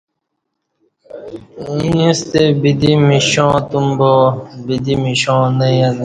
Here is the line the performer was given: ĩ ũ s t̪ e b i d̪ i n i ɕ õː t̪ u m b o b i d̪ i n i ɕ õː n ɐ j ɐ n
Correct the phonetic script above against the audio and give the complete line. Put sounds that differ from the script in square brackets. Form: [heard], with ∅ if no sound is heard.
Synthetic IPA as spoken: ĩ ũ s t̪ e b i d̪ i [m] i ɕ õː t̪ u m b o b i d̪ i [m] i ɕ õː n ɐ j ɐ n